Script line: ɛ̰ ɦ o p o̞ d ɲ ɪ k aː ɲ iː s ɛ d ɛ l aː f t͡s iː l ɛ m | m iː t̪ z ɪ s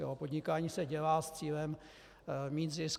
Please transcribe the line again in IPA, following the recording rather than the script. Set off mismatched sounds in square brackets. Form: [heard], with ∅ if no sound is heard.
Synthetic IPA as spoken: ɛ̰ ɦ o p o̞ d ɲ ɪ k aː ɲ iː s ɛ [ɟ] ɛ l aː [s] t͡s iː l ɛ m | m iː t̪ z ɪ s

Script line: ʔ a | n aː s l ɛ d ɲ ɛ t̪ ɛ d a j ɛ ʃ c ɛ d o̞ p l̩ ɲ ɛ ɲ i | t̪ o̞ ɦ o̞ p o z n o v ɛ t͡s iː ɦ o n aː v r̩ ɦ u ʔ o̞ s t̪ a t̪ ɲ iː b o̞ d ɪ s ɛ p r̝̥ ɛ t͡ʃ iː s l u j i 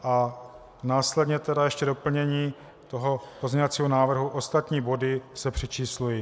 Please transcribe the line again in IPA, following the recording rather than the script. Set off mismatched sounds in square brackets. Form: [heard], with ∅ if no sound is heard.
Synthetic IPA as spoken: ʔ a | n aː s l ɛ d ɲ ɛ t̪ ɛ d a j ɛ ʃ c ɛ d o̞ p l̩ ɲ ɛ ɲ [iː] | t̪ o̞ ɦ o̞ p o z [ɲ] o v [a] t͡s iː ɦ o n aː v r̩ ɦ u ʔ o̞ s t̪ a t̪ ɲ iː b o̞ d ɪ s ɛ p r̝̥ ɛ t͡ʃ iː s l u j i

